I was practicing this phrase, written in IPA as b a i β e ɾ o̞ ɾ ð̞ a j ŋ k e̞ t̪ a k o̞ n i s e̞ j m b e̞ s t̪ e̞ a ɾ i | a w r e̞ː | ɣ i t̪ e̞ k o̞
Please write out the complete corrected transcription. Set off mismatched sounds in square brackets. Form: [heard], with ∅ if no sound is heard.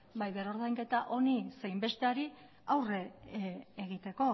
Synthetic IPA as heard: b a [j] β e ɾ o̞ ɾ ð̞ a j ŋ k e̞ t̪ a [ʔ] o̞ n i s e̞ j m b e̞ s t̪ e̞ a ɾ i | a w r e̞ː | ɣ i t̪ e̞ k o̞